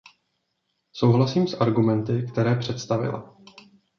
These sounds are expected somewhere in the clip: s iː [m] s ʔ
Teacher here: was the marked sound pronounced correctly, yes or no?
yes